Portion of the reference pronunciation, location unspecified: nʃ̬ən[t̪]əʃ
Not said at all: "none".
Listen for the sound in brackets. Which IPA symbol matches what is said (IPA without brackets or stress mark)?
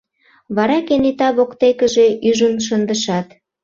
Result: d̪